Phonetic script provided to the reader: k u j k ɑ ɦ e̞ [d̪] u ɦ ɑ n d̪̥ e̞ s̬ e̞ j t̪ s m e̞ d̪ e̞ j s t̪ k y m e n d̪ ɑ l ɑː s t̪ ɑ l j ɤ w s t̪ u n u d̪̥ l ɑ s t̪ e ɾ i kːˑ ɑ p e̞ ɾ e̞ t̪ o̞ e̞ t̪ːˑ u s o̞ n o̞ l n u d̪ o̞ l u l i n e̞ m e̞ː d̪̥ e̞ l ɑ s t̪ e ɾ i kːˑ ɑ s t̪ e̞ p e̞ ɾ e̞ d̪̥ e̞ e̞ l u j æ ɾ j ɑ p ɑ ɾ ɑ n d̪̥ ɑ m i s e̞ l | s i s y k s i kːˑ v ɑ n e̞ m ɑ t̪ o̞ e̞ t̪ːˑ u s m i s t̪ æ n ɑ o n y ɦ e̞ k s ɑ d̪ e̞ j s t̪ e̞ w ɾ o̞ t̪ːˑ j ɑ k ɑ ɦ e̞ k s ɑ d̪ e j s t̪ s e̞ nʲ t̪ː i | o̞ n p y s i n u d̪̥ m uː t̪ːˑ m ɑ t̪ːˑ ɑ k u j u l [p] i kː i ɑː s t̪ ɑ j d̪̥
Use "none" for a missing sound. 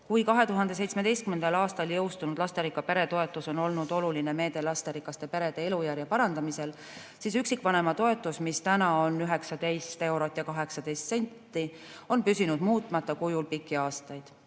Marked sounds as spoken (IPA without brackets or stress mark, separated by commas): t̪, p